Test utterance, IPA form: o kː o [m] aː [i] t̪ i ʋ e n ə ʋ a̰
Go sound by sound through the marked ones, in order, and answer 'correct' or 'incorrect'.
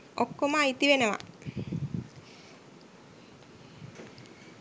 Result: correct, correct

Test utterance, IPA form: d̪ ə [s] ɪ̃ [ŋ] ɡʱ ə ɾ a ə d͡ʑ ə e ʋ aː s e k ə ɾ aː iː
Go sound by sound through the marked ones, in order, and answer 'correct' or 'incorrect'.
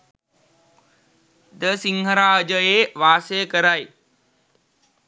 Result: correct, correct

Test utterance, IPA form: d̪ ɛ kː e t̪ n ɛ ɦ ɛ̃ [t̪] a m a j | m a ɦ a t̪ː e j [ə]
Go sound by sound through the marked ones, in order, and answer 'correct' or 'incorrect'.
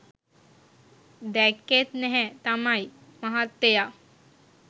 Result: correct, incorrect: a

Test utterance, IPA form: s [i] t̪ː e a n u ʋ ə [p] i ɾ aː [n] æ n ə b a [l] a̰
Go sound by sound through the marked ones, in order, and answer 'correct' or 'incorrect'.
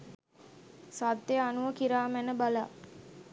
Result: incorrect: a, incorrect: k, incorrect: m, correct

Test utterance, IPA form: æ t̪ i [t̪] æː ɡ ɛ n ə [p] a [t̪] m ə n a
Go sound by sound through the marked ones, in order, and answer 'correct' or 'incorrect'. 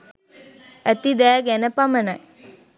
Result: incorrect: d̪, correct, incorrect: none

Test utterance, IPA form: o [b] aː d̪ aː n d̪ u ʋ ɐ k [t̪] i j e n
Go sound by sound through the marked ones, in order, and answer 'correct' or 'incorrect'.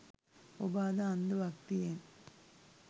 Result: correct, correct

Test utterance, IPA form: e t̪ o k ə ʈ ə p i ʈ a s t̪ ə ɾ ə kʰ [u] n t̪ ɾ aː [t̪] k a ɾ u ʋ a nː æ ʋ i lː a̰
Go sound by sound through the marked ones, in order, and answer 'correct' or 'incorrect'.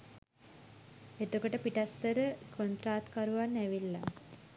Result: incorrect: o, correct

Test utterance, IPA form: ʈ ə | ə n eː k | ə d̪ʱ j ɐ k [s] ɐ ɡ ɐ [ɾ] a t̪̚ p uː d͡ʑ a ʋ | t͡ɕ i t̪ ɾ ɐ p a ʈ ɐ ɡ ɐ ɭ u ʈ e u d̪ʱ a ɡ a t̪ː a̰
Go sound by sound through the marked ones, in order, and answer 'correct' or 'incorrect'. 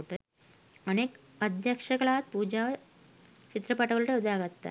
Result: incorrect: ʂ, incorrect: ɭ

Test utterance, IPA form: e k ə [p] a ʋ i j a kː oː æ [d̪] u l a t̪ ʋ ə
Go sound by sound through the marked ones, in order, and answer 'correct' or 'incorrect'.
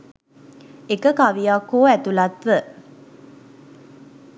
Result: incorrect: k, incorrect: t̪

